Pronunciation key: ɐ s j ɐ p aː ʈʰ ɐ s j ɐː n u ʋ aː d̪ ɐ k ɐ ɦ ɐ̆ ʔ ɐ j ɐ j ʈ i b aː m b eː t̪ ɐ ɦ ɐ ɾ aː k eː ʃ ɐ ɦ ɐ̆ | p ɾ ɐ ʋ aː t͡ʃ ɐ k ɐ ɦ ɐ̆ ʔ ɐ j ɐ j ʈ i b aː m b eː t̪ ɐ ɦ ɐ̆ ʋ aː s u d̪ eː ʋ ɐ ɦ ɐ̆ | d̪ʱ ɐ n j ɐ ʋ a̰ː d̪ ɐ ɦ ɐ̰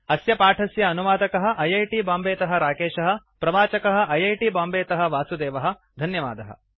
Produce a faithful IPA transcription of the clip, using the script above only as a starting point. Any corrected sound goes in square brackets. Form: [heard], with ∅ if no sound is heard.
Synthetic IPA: ɐ s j ɐ p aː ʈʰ ɐ s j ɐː n u ʋ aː d̪ ɐ k ɐ ɦ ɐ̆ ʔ ɐ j ɐ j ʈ i b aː m b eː t̪ ɐ ɦ ɐ ɾ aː k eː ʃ ɐ ɦ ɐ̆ | p ɾ ɐ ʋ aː t͡ʃ ɐ k ɐ ɦ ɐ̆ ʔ ɐ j ɐ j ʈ i b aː m b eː t̪ ɐ ɦ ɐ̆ ʋ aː s u d̪ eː ʋ ɐ ɦ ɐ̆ | d̪ʱ ɐ n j ɐ ʋ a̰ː d̪ ɐ ɦ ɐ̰